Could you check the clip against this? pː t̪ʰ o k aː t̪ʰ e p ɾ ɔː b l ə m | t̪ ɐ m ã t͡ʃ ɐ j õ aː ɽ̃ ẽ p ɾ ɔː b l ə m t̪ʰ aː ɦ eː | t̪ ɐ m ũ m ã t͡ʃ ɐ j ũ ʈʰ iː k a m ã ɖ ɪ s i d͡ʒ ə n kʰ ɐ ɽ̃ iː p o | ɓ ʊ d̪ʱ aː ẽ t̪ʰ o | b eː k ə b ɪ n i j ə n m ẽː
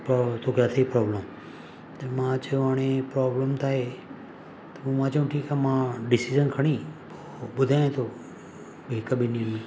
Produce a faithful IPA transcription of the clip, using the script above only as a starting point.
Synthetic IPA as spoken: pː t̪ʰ o k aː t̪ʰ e p ɾ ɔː b l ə m | t̪ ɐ m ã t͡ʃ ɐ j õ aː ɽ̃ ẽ p ɾ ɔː b l ə m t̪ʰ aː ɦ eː | t̪ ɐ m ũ m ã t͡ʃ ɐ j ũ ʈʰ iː k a m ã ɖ ɪ s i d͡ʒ ə n kʰ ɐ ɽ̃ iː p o | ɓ ʊ d̪ʱ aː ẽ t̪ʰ o | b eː k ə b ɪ n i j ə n m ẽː